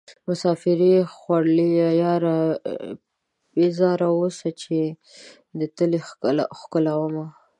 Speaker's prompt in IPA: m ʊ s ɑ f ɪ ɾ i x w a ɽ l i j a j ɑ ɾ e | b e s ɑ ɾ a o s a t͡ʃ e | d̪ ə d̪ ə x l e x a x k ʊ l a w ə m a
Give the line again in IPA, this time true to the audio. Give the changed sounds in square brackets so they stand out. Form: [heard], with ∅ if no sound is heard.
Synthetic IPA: m ʊ s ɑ f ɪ ɾ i x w a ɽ l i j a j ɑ ɾ [a] | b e [z] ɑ ɾ a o s a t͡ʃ e | d̪ ə [t̪] ə [∅] l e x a x k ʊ l a w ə m a